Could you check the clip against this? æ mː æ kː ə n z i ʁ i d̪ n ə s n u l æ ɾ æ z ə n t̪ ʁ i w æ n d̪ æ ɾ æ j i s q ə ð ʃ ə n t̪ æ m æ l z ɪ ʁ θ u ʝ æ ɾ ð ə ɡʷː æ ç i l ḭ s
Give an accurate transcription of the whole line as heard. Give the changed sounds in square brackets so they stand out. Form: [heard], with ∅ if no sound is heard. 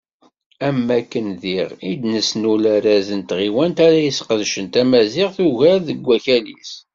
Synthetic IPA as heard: æ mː æ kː ə n [ð] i ʁ i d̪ n ə s n u l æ ɾ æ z ə n t̪ ʁ i w æ n [t̪] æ ɾ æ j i s q ə ð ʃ ə n t̪ æ m æ [∅] z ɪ ʁ θ u ʝ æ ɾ ð ə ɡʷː æ ç [æ] l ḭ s